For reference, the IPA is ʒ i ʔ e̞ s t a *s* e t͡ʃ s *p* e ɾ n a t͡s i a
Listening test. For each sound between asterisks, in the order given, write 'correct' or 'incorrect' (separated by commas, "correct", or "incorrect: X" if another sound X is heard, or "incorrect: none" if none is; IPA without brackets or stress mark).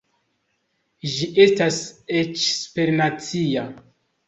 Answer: correct, correct